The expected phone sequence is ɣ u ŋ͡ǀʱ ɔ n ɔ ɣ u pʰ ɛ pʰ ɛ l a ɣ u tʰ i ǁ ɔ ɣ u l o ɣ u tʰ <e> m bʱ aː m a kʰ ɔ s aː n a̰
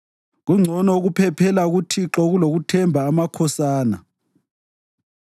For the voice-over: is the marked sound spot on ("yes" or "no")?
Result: no